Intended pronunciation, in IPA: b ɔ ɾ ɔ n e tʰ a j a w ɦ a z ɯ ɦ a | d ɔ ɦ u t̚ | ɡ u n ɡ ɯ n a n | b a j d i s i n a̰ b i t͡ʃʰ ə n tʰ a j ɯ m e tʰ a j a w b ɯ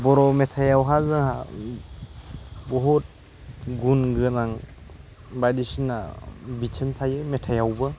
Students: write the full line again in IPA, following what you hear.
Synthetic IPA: b ɔ ɾ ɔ m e tʰ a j a w ɦ a z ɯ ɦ a | b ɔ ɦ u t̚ | ɡ u n ɡ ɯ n a ŋ | b a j d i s i n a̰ b i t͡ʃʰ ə n tʰ a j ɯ m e tʰ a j a w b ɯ